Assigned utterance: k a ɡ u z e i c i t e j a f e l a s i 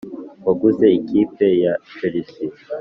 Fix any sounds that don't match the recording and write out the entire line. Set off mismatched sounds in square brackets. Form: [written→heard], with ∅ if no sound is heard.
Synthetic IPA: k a ɡ u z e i [c→k] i [t→p] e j a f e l [a→i] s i